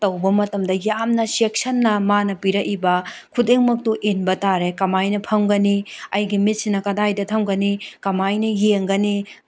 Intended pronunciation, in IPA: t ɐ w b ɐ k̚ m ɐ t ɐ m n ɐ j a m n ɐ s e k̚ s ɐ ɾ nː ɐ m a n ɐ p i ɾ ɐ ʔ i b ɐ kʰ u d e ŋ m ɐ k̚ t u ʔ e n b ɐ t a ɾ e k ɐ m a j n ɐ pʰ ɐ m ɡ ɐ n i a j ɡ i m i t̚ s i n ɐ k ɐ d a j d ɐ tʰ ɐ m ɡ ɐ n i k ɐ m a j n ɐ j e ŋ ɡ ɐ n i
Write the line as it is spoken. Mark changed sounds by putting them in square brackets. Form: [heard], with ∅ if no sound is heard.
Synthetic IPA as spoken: t ɐ w b ɐ [∅] m ɐ t ɐ m [d] ɐ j a m n ɐ s e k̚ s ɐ [∅] nː ɐ m a n ɐ p i ɾ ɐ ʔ i b ɐ kʰ u d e ŋ m ɐ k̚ t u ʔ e n b ɐ t a ɾ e k ɐ m a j n ɐ pʰ ɐ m ɡ ɐ n i [ɐ] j ɡ i m i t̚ s i n ɐ k ɐ d a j d ɐ tʰ ɐ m ɡ ɐ n i k ɐ m a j n ɐ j e ŋ ɡ ɐ n i

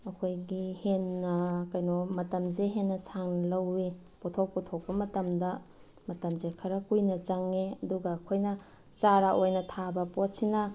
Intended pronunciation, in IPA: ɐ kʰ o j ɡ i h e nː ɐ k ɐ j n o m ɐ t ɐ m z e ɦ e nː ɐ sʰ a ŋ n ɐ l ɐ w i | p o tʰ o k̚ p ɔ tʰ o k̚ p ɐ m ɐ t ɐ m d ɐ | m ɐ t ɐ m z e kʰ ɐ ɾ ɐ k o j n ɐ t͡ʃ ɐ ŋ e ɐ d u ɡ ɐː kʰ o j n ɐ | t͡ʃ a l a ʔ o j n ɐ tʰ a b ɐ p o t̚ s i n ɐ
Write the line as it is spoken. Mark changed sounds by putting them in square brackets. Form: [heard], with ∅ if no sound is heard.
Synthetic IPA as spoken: ɐ kʰ o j ɡ i h e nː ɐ k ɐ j n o m ɐ t ɐ m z e ɦ e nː ɐ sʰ a ŋ n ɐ l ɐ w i | p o tʰ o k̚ p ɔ tʰ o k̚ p ɐ m ɐ t ɐ m d ɐ | m ɐ t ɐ m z e kʰ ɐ ɾ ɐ k [u] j n ɐ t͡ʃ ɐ ŋ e ɐ d u ɡ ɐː kʰ o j n ɐ | t͡ʃ a [ɾ] a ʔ o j n ɐ tʰ a b ɐ p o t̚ s i n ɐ

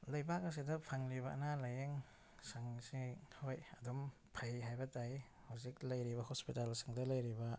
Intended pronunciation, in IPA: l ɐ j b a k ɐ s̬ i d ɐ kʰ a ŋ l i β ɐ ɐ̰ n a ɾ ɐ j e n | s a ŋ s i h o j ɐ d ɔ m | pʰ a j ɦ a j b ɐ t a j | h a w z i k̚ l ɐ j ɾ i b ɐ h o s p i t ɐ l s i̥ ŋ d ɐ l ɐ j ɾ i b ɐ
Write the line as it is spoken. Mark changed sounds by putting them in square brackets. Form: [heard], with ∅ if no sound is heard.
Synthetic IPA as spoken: l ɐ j b a k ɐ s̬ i d ɐ [pʰ] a ŋ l i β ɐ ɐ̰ n a [l] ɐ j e [ŋ] | s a ŋ s i h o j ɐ d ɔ m | pʰ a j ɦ a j b ɐ t a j | h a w z i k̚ l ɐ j ɾ i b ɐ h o s p i t [a] l s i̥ ŋ d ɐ l ɐ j ɾ i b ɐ

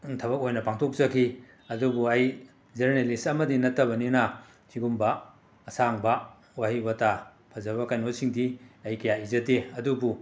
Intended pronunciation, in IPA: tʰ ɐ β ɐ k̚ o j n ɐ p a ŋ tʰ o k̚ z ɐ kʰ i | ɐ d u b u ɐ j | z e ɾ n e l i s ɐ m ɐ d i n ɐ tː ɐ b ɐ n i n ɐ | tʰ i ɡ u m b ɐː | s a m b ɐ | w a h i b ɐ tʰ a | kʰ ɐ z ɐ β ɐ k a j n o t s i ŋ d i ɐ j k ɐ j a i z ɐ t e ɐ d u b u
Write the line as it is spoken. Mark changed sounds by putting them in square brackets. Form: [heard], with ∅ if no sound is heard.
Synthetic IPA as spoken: tʰ ɐ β ɐ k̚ o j n ɐ p a ŋ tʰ o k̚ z ɐ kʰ i | ɐ d u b u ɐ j | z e ɾ n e l i s ɐ m ɐ d i n ɐ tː ɐ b ɐ n i n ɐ | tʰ i ɡ u m b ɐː | s a [ŋ] b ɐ | w a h i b ɐ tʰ a | [pʰ] ɐ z ɐ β ɐ k a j n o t s i ŋ d i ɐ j k ɐ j a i z ɐ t e ɐ d u b u

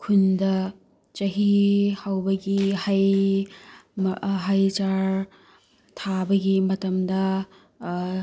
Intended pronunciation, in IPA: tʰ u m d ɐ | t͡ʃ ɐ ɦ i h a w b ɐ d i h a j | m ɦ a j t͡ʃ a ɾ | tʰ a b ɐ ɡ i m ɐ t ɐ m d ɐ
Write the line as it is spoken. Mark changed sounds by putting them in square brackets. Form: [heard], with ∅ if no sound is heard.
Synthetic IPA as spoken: [kʰ] u [n] d ɐ | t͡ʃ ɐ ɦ i h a w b ɐ [ɡ] i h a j | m ɦ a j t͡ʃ a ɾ | tʰ a b ɐ ɡ i m ɐ t ɐ m d ɐ

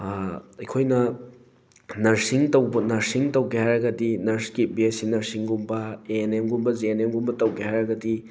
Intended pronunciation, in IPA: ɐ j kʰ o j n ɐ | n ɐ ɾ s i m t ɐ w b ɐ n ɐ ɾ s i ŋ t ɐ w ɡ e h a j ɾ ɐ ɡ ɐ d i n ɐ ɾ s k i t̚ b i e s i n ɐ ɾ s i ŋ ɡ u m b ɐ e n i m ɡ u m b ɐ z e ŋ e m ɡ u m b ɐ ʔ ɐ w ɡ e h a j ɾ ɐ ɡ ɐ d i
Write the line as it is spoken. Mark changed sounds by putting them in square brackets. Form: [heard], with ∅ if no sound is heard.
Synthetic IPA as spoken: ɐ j kʰ o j n ɐ | n ɐ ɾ s i [ŋ] t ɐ w b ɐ n ɐ ɾ s i ŋ t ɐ w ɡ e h a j ɾ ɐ ɡ ɐ d i n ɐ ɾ s k i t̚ b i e s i n ɐ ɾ s i ŋ ɡ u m b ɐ e n [e] m ɡ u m b ɐ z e [n] e m ɡ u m b ɐ [t] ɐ w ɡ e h a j ɾ ɐ ɡ ɐ d i

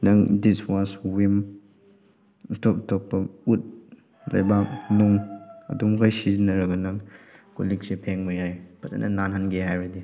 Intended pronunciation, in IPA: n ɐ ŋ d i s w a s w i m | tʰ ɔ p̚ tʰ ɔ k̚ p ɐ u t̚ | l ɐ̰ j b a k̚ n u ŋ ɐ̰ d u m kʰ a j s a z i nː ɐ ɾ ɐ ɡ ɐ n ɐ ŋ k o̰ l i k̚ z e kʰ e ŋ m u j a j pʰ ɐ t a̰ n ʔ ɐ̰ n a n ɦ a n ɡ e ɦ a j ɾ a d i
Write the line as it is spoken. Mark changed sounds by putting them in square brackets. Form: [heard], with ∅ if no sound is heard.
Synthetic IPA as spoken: n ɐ ŋ d i s w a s w i m | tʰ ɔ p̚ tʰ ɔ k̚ p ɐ u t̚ | l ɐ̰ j b a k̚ n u ŋ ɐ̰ d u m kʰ a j s [i] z i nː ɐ ɾ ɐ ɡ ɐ n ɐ ŋ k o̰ l i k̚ [s] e [pʰ] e ŋ m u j a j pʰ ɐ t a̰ n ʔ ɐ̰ n a n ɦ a n ɡ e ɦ a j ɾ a d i

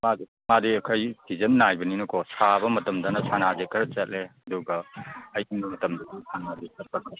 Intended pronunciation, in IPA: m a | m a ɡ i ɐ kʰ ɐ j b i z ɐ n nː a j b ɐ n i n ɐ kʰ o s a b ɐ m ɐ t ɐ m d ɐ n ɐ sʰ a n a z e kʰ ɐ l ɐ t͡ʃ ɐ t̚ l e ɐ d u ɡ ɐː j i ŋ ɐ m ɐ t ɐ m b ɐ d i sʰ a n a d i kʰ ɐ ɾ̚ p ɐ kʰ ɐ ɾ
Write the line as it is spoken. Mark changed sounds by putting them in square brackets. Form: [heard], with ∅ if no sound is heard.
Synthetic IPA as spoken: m a | m a [d] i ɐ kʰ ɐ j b i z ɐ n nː a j b ɐ n i n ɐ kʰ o s a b ɐ m ɐ t ɐ m d ɐ n ɐ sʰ a n a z e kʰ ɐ [ɾ] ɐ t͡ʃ ɐ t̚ l e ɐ d u ɡ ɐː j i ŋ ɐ m ɐ t ɐ m [d] ɐ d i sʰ a n a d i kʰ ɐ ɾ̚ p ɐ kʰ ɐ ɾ

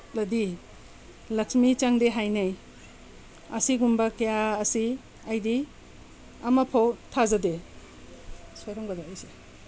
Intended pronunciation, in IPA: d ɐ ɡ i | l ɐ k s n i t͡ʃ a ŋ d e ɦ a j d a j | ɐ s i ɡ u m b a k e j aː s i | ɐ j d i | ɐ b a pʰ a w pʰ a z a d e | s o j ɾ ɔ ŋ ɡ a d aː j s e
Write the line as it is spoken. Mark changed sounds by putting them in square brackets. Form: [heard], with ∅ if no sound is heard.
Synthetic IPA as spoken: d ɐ [d] i | l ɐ k s [m] i t͡ʃ a ŋ d e ɦ a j [n] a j | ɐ s i ɡ u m b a k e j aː s i | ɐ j d i | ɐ [m] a pʰ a w [tʰ] a z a d e | s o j ɾ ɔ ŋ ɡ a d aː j s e

